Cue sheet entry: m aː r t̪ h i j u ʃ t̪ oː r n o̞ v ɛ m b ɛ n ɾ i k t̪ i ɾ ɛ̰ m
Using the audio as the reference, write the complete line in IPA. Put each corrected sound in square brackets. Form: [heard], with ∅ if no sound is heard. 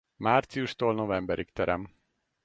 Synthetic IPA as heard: m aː r t̪ [s] i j u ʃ t̪ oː [l] n o̞ v ɛ m b ɛ [∅] ɾ i k t̪ [ɛ] ɾ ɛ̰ m